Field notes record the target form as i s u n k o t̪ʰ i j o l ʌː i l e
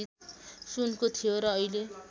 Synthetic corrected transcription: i s u n k o t̪ʰ i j o ɾ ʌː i l e